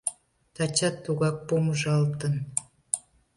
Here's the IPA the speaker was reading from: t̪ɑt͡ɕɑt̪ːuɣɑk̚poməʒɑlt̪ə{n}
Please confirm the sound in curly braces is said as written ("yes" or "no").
yes